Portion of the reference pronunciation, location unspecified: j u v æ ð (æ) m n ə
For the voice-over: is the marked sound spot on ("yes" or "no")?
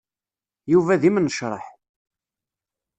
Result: no